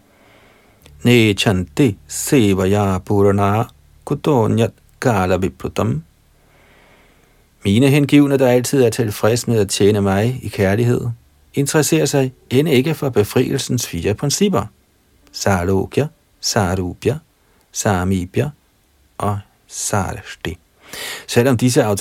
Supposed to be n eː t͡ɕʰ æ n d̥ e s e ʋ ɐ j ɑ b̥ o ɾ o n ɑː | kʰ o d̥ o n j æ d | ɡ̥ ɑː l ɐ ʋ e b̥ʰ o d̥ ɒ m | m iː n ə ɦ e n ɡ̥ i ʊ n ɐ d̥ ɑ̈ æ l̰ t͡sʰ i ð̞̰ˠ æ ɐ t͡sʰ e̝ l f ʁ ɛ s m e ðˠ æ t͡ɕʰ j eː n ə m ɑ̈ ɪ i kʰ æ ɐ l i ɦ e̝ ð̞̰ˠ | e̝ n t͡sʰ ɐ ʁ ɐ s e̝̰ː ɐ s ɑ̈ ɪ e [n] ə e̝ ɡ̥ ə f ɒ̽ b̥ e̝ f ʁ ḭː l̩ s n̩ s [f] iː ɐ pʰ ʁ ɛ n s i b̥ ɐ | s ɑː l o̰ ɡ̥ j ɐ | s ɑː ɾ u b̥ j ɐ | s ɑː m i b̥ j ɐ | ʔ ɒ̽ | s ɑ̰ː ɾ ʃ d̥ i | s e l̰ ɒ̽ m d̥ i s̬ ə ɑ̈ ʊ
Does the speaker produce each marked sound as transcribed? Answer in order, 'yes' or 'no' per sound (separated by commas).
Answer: yes, yes